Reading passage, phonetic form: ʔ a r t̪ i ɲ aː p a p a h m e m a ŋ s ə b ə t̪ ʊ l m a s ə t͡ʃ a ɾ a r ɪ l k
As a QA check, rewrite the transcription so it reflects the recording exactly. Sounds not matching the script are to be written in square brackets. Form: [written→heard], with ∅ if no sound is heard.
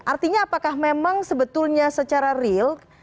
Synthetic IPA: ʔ a r t̪ i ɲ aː p a [p→k] a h m e m a ŋ s ə b ə t̪ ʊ l [m→ɲ] a s ə t͡ʃ a ɾ a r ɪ l k